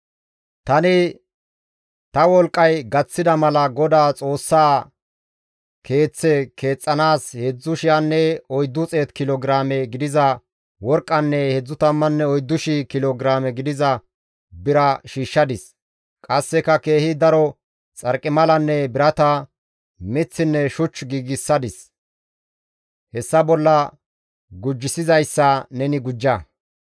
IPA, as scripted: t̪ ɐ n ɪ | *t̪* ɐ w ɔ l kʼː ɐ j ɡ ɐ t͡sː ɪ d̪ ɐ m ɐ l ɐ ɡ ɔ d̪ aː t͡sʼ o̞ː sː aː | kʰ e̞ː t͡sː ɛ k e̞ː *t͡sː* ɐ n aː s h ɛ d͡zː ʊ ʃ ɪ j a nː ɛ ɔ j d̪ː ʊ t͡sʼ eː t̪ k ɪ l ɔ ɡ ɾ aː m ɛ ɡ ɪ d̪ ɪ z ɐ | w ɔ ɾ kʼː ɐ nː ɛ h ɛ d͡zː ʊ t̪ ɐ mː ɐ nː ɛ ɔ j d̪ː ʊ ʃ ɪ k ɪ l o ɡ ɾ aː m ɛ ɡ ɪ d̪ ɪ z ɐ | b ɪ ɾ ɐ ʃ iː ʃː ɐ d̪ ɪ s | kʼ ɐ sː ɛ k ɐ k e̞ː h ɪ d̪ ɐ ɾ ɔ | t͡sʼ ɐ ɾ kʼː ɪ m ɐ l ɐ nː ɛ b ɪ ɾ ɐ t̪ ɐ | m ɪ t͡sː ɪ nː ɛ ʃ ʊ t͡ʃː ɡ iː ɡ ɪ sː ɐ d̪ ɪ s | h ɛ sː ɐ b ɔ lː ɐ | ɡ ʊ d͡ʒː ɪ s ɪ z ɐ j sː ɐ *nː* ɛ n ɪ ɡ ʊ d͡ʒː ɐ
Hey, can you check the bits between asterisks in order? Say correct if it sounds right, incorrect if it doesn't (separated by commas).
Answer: correct, incorrect, incorrect